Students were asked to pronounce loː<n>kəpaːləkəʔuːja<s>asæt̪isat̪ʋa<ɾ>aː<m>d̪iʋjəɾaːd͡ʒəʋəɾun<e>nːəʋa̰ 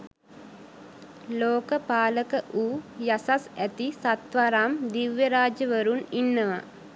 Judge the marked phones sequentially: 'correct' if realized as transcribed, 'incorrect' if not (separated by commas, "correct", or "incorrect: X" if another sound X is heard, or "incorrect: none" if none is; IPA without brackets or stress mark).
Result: incorrect: none, correct, correct, correct, incorrect: i